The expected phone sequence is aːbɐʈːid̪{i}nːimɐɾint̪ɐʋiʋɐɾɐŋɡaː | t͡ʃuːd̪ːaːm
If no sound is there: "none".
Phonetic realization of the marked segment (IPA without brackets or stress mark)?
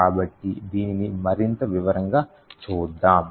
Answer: iː